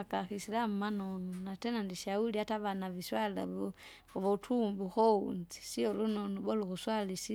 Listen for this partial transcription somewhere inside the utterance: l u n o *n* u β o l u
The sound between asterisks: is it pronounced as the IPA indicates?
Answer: yes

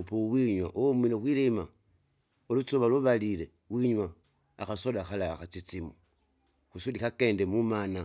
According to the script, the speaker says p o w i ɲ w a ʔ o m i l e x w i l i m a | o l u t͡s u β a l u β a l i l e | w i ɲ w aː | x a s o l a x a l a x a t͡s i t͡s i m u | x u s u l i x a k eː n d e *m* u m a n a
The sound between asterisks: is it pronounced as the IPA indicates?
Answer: yes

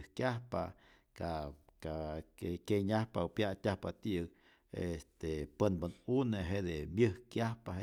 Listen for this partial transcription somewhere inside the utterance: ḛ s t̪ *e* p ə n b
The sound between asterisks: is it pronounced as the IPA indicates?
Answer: yes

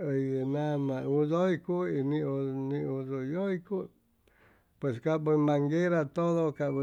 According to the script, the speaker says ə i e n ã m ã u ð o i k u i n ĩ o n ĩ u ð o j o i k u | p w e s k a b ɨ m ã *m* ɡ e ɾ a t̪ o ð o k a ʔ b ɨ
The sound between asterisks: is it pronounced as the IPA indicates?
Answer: no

